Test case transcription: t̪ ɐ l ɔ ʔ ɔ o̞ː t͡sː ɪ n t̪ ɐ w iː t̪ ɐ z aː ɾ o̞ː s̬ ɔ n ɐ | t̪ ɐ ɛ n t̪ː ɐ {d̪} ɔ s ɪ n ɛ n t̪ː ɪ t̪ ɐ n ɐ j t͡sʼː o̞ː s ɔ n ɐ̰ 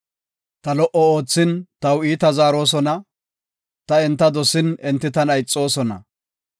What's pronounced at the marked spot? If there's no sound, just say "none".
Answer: d̪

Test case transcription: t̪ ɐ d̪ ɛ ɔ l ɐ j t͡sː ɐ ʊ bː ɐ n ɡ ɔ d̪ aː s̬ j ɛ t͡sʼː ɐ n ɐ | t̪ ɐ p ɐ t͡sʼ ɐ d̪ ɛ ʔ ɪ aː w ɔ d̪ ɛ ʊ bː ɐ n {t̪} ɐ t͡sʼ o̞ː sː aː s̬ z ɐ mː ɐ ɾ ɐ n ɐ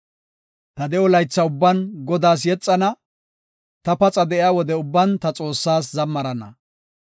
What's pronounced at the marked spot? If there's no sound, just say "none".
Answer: t̪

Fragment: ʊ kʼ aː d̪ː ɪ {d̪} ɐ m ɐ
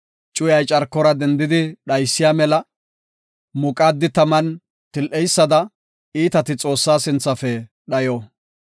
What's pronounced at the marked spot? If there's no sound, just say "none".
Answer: t̪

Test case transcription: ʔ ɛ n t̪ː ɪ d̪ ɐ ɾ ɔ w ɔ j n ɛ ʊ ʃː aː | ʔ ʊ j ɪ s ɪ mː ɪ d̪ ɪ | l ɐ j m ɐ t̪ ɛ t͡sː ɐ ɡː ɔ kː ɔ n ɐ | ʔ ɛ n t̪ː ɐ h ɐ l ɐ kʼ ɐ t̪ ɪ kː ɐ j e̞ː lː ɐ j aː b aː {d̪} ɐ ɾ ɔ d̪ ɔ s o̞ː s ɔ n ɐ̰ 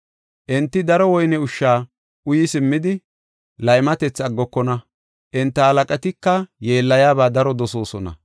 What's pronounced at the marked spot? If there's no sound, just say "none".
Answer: d̪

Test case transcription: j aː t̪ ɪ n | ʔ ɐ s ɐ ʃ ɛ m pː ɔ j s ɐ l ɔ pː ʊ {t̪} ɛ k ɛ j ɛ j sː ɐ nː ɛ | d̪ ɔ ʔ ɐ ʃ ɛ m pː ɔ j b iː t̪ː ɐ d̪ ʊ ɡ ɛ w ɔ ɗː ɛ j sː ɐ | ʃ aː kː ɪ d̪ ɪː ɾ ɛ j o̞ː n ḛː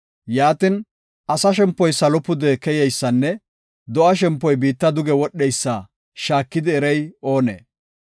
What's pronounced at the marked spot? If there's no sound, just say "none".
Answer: d̪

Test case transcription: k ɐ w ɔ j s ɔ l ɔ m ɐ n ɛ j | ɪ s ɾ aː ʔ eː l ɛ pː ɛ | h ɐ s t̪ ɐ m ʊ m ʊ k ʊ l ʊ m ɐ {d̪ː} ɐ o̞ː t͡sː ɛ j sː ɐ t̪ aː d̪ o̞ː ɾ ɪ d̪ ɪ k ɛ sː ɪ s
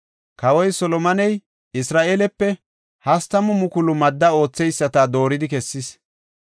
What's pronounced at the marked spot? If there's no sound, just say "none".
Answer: d̪ː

